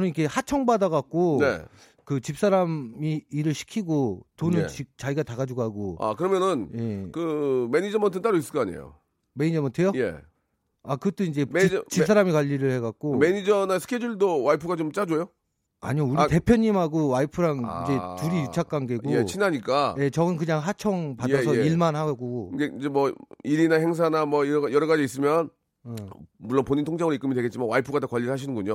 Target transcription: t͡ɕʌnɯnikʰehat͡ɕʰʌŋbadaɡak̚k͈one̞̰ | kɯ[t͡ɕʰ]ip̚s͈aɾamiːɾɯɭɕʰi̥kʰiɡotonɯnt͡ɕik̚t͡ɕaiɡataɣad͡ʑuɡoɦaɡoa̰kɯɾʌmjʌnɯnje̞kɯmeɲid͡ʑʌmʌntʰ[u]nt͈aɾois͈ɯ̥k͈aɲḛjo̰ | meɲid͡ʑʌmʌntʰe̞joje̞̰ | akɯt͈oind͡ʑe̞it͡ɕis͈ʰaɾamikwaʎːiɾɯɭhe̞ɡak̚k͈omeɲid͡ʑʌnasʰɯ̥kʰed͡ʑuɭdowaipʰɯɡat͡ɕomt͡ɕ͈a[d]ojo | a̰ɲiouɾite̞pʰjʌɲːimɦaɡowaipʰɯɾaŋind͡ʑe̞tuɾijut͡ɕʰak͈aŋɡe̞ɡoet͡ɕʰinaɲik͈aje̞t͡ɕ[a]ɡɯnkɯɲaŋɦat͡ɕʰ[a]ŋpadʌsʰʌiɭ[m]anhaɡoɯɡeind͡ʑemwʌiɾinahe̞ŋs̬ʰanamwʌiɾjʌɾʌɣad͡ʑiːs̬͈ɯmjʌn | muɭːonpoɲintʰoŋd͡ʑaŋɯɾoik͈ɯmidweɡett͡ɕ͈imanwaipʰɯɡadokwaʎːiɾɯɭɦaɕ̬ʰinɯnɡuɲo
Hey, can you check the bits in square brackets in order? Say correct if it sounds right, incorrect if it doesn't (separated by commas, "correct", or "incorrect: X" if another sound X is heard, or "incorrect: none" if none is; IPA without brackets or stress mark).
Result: incorrect: t͡ɕ, incorrect: ɯ, incorrect: d͡ʑ, incorrect: ʌ, incorrect: ʌ, correct